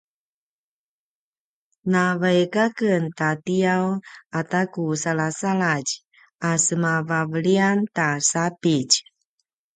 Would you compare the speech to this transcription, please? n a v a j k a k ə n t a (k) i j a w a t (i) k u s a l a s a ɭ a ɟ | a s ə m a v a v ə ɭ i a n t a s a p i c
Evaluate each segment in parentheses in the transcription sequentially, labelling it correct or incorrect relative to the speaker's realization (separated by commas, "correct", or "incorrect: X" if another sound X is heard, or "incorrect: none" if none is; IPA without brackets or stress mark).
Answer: incorrect: t, incorrect: a